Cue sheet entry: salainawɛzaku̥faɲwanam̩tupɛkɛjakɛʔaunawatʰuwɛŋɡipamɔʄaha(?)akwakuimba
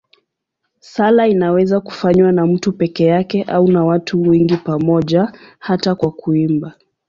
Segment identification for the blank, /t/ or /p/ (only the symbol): t